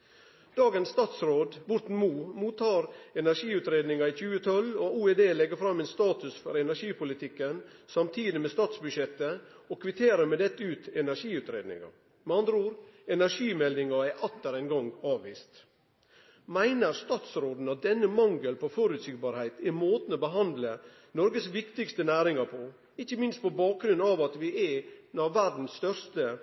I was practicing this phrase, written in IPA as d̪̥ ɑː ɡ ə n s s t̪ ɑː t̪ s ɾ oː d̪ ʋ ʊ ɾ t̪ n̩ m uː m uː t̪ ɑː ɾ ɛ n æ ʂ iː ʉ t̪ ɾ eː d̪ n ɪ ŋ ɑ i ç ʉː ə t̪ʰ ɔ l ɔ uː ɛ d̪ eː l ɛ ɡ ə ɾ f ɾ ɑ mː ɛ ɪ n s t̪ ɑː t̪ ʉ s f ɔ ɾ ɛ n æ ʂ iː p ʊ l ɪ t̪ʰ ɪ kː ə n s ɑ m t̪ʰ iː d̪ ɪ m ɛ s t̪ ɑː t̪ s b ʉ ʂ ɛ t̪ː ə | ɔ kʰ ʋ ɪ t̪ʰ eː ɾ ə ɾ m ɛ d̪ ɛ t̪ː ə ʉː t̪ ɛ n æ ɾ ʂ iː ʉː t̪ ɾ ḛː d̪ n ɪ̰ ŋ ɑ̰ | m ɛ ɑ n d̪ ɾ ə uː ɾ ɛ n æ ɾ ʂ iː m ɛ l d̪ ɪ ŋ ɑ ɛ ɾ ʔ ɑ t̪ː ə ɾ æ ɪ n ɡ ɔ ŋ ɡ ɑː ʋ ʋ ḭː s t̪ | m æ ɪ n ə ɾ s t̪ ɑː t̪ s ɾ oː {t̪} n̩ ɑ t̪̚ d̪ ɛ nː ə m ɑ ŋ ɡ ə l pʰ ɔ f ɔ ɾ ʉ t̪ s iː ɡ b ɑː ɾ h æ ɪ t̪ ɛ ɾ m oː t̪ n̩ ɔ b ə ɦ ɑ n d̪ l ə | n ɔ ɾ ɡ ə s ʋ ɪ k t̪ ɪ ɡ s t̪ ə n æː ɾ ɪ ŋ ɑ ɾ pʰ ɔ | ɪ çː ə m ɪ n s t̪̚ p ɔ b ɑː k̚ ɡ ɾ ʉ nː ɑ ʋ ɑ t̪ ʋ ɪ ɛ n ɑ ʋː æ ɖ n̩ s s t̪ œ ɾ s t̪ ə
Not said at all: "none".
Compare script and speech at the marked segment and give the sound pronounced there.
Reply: d̪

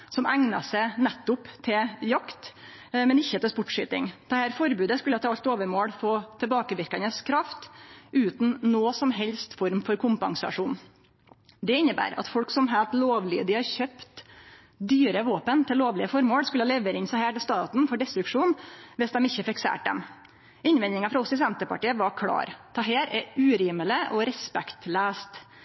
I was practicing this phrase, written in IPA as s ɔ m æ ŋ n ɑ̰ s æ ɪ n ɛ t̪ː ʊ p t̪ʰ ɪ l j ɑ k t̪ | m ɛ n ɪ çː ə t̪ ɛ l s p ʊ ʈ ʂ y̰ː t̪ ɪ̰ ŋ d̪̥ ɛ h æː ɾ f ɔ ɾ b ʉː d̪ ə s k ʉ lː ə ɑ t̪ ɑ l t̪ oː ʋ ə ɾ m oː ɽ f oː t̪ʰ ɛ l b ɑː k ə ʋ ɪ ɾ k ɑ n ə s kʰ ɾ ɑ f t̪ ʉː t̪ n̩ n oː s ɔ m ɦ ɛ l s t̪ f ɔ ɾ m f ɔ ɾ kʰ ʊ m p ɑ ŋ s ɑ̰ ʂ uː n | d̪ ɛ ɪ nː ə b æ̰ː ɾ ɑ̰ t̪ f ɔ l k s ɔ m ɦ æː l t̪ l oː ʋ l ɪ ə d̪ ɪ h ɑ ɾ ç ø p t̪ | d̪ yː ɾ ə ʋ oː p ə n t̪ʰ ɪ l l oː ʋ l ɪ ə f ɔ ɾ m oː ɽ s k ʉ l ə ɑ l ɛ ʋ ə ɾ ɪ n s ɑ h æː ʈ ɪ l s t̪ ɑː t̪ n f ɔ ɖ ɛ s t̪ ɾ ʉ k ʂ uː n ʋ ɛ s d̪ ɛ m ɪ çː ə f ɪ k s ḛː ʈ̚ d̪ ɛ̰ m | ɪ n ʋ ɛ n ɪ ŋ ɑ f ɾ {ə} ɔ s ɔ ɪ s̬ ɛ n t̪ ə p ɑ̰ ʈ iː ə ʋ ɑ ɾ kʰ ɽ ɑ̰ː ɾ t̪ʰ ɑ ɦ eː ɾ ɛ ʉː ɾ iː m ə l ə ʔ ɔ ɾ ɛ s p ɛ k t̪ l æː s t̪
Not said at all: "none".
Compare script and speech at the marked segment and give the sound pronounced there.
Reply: ɑ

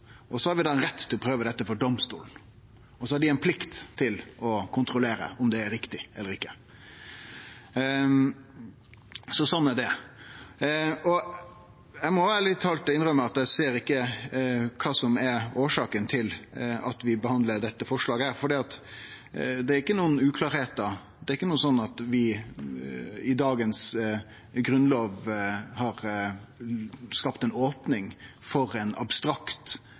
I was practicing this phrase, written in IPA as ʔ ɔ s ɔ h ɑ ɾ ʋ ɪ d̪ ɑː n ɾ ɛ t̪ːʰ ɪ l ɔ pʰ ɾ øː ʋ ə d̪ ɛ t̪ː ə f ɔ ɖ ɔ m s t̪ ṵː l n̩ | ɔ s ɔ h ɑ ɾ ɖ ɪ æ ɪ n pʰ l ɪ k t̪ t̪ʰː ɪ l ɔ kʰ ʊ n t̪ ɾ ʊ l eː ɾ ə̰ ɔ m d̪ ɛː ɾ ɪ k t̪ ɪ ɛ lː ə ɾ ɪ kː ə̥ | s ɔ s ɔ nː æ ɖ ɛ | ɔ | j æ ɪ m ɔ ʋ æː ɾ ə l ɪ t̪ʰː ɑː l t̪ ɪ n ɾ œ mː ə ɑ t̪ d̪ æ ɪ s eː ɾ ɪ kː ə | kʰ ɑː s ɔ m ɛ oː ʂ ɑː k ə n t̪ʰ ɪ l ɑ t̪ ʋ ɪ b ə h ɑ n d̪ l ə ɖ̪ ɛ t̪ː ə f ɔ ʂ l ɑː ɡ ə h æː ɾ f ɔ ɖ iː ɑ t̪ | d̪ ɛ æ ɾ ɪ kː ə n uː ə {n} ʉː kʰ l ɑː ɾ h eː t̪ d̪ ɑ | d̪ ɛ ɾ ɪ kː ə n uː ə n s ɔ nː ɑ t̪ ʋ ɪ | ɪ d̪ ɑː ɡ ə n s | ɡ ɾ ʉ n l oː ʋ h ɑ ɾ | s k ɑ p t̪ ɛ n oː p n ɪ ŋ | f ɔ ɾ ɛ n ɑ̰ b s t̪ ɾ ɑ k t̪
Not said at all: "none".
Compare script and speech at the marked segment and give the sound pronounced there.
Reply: n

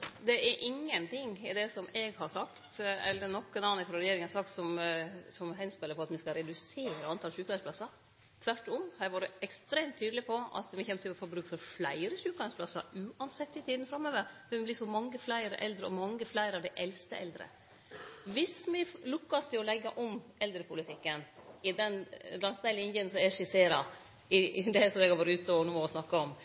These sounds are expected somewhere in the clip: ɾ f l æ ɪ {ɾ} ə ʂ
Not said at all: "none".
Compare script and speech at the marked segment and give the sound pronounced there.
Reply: ɾ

